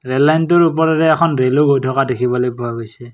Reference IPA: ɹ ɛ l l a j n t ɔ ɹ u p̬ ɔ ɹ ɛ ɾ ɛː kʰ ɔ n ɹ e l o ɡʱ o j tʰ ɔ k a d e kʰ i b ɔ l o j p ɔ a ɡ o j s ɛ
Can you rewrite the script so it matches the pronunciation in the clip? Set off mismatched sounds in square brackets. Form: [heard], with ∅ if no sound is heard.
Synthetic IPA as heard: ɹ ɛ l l a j n t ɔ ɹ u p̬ ɔ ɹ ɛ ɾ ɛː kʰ ɔ n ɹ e l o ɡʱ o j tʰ ɔ k a d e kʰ i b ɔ l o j p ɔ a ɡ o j s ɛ